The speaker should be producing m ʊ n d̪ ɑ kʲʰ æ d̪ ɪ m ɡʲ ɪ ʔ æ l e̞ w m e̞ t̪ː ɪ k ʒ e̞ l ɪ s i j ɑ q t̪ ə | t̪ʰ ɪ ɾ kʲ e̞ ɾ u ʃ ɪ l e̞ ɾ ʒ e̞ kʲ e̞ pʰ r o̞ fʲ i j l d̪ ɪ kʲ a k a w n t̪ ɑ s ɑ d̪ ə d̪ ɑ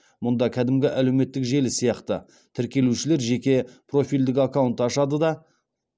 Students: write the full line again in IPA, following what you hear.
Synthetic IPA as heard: m ʊ n d̪ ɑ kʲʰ æ d̪ ɪ m ɡʲ ɪ ʔ æ l e̞ w m e̞ t̪ː ɪ k ʒ e̞ l ɪ s i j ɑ q t̪ ə | t̪ʰ ɪ ɾ kʲ e̞ l u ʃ ɪ l e̞ ɾ ʒ e̞ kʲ e̞ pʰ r o̞ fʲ i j l d̪ ɪ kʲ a k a w n t̪ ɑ ʃ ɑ d̪ ə d̪ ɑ